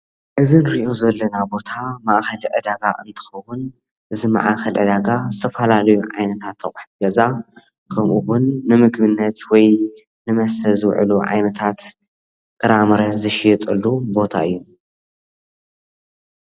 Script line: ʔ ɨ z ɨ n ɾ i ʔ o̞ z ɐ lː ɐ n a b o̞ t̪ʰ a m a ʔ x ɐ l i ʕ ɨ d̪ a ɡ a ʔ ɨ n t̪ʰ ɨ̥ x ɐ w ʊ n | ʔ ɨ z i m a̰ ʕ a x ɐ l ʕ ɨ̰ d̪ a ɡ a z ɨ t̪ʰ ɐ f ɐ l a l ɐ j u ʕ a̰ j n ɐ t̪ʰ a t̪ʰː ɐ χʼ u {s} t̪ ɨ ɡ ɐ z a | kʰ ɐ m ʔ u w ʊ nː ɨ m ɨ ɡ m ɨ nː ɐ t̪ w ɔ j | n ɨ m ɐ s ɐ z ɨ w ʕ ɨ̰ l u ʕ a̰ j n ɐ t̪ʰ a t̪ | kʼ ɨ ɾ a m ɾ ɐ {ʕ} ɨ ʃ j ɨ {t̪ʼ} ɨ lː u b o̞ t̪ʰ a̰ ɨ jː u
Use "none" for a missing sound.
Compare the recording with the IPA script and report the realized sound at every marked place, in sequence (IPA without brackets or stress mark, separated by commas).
ħ, z, t̪ʼ